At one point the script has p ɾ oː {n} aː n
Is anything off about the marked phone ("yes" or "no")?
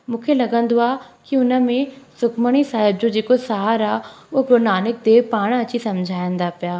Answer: no